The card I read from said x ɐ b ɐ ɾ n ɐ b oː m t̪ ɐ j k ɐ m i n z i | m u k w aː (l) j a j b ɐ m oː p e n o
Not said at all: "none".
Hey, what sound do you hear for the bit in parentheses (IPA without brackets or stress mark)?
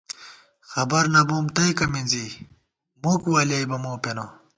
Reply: l